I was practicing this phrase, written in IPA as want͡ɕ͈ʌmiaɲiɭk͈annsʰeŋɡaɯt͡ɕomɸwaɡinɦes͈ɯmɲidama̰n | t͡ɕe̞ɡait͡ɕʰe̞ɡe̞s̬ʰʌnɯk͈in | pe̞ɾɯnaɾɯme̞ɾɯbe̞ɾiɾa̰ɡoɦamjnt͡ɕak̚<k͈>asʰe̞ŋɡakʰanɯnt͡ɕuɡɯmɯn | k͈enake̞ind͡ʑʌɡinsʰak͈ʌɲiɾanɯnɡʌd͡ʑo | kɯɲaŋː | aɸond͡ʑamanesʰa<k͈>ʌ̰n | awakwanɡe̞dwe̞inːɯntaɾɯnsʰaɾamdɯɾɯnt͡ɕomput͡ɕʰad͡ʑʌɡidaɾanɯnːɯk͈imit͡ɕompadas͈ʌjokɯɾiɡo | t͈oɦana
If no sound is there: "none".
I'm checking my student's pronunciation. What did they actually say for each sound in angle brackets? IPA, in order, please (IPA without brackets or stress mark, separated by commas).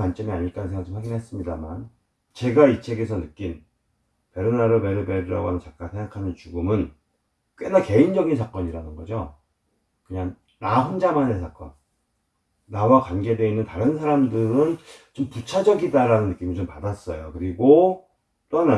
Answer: k͈, k͈